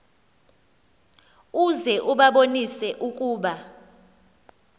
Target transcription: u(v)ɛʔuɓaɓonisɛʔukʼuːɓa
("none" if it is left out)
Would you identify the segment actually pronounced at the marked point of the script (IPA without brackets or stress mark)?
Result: z